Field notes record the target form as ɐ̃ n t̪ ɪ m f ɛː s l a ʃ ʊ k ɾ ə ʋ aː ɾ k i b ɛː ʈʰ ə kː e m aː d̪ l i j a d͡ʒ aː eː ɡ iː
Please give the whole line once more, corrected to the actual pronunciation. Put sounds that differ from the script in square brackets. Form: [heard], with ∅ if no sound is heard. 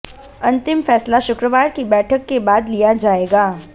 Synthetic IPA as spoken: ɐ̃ n t̪ ɪ m f ɛː s l a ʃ ʊ k ɾ ə ʋ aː ɾ k i b ɛː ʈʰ ə kː e [b] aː d̪ l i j a d͡ʒ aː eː ɡ [aː]